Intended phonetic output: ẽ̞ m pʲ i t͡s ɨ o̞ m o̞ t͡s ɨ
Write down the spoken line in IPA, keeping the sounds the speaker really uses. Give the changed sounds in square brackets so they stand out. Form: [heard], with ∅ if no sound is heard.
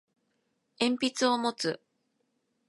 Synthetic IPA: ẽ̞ m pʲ i t͡s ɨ o̞ m o̞ t͡s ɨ